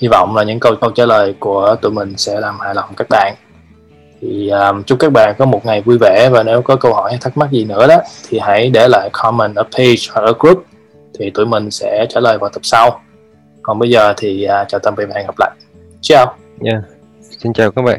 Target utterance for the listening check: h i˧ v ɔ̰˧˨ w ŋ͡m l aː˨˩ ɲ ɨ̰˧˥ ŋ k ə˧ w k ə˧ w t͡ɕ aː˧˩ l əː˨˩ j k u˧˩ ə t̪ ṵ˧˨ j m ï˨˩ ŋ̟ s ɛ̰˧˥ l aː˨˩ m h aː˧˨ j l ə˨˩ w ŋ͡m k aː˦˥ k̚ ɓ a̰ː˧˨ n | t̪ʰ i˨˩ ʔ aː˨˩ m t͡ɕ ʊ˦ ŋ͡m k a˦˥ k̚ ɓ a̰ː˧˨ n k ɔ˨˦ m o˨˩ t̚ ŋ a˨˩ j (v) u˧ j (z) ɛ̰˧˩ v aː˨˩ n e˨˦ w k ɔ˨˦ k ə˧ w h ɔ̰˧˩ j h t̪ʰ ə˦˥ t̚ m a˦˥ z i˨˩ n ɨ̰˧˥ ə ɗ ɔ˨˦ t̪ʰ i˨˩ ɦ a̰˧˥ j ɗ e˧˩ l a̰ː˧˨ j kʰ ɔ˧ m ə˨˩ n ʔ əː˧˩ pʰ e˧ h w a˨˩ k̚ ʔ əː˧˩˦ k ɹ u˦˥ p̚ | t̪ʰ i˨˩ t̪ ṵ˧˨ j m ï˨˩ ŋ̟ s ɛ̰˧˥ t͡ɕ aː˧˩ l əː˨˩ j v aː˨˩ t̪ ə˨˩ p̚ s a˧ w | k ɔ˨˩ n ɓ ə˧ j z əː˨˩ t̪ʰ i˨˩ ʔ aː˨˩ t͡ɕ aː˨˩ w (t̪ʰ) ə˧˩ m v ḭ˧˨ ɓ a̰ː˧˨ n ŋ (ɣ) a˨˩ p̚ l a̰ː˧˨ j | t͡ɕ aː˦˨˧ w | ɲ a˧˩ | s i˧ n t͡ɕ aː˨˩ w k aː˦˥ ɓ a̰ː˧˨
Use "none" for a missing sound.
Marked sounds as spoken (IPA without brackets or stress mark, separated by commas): v, v, t̪, ɣ